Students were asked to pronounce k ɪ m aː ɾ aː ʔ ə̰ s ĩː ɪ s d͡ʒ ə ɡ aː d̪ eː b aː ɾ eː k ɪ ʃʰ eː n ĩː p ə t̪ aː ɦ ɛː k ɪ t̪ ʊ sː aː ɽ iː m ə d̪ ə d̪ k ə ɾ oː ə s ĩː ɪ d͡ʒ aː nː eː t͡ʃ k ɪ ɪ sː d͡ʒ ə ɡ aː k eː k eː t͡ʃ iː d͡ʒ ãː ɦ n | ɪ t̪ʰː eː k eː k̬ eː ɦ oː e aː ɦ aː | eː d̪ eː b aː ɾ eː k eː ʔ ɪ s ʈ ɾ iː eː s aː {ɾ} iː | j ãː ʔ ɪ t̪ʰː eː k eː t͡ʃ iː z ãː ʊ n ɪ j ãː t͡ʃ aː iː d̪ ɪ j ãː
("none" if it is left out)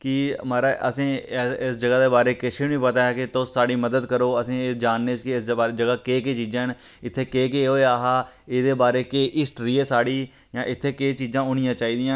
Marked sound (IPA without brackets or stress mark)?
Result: ɽ